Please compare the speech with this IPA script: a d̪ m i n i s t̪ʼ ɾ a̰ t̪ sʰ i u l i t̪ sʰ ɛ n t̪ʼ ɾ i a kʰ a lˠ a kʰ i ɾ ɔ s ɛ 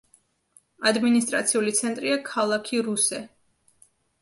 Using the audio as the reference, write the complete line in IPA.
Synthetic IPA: a d̪ m i n i s t̪ʼ ɾ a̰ t̪ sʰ i u l i t̪ sʰ ɛ n t̪ʼ ɾ i a kʰ a lˠ a kʰ i ɾ u s ɛ